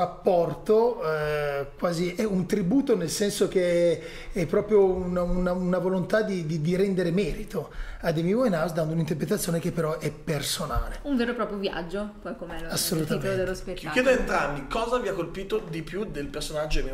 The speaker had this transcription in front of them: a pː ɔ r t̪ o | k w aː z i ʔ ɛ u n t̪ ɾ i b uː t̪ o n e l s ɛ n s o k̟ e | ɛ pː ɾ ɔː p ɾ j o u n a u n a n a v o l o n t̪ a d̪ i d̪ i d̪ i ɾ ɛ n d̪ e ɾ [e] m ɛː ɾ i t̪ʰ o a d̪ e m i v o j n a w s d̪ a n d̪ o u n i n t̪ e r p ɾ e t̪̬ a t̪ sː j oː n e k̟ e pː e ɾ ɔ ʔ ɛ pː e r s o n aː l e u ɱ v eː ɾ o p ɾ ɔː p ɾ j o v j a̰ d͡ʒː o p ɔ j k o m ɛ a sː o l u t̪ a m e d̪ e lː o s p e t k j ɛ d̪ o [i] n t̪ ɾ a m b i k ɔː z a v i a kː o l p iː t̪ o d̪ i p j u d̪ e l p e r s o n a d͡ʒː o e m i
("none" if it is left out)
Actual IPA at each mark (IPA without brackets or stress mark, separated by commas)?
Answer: e, e